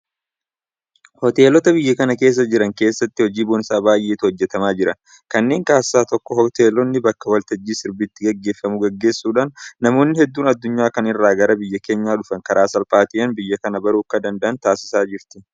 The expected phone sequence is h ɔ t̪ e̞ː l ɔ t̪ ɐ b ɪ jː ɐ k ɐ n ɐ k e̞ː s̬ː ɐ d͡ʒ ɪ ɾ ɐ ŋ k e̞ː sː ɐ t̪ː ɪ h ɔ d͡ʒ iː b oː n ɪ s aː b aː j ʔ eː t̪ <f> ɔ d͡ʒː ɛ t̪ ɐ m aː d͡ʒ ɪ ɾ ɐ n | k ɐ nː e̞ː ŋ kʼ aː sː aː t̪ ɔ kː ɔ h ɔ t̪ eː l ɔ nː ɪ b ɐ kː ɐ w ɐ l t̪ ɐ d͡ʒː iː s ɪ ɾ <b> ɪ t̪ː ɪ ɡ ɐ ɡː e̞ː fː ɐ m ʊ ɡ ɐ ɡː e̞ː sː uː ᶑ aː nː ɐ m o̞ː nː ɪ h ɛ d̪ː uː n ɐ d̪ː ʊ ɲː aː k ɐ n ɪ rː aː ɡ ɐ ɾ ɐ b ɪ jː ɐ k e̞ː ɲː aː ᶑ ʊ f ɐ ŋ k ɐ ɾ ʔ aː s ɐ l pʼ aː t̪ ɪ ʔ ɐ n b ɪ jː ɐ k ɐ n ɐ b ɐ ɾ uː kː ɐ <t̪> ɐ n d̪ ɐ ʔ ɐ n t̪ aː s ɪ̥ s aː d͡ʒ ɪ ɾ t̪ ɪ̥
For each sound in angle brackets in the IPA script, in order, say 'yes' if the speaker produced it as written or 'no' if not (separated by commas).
no, yes, no